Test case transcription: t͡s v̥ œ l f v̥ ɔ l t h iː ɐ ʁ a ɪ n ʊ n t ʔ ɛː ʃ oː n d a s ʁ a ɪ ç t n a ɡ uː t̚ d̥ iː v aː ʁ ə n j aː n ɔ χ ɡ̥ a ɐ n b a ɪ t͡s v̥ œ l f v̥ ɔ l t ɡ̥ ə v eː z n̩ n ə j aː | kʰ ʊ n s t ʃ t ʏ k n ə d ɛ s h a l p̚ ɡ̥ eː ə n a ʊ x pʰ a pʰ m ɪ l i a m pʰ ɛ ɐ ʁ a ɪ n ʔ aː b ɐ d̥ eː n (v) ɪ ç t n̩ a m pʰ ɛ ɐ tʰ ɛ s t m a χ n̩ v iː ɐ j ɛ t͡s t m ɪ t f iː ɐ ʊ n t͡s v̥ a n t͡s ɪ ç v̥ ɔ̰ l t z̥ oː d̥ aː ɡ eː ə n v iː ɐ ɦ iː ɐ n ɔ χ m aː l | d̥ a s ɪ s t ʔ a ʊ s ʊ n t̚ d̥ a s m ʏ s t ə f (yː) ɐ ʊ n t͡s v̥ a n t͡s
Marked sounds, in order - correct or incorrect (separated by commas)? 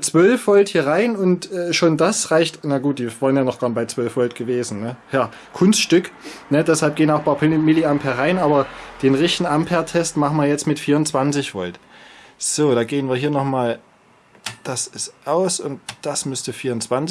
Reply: incorrect, incorrect